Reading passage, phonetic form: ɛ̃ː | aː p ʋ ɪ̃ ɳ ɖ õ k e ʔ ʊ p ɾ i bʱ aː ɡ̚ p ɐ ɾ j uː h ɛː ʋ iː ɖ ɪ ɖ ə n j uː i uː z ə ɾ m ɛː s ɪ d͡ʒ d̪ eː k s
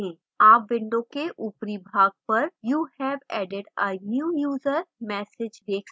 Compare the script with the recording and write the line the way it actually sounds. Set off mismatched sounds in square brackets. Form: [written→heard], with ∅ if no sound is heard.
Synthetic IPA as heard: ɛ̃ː | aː p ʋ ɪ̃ ɳ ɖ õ k e ʔ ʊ p ɾ i bʱ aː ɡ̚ p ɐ ɾ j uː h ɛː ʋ [iː→ɛː] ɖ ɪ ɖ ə n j uː [i→j] uː z ə ɾ m ɛː s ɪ d͡ʒ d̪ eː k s